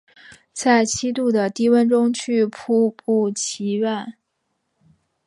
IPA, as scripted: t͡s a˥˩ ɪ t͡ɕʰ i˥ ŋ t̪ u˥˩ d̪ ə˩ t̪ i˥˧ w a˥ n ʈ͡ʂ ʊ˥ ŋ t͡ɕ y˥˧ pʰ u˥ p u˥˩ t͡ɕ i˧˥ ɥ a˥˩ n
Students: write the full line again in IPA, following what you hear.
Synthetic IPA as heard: t͡s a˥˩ ɪ t͡ɕʰ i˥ t̪ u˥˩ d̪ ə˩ t̪ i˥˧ w ə˥ n ʈ͡ʂ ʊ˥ ŋ t͡ɕʰ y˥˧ pʰ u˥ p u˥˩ t͡ɕʰ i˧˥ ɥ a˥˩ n